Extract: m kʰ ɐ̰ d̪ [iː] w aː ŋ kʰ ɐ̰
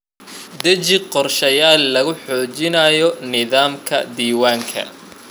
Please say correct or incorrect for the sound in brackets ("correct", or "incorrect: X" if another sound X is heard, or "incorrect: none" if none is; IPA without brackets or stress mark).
correct